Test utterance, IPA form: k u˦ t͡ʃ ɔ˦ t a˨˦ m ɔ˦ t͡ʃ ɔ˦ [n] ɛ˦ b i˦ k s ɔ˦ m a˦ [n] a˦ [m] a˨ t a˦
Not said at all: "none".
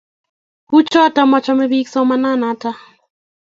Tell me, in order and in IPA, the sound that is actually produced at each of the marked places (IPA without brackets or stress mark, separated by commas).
m, n, n